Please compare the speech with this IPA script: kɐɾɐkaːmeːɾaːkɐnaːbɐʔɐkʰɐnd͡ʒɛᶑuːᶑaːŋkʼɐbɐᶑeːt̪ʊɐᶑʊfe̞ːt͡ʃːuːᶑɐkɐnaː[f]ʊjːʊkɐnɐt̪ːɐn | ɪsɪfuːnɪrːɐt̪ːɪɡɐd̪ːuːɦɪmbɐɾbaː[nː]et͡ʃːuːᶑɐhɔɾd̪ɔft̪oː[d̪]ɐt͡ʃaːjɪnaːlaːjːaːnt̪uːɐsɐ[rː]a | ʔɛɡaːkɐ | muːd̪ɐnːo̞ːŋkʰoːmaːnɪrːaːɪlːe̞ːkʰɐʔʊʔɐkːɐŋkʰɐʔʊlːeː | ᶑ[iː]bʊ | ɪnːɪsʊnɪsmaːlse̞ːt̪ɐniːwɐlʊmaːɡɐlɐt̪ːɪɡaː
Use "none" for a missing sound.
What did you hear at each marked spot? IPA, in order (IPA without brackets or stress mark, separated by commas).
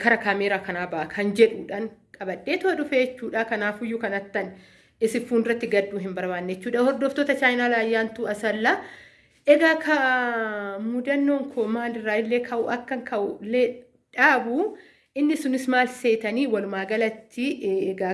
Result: f, nː, t̪, lː, aː